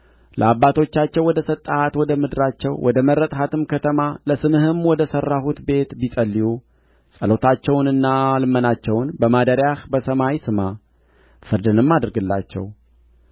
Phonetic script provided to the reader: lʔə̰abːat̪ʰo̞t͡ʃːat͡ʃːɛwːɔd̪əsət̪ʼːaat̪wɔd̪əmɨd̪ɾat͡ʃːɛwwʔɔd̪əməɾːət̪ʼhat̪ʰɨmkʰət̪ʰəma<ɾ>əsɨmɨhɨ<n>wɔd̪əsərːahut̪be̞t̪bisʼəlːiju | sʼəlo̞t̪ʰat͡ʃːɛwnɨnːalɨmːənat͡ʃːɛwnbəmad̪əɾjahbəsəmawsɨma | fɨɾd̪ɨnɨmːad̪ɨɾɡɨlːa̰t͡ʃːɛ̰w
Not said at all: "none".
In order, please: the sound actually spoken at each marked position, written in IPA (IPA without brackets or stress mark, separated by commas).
l, m